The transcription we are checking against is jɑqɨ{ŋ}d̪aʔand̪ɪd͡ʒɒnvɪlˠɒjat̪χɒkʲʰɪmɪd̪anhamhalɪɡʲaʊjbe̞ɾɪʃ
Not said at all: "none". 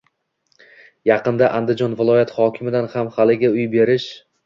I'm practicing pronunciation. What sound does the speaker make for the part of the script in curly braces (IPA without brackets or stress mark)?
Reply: n